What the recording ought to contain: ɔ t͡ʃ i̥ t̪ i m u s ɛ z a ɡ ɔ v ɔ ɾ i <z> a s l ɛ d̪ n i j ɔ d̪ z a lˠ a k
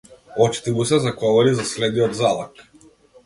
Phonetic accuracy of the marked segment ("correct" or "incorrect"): correct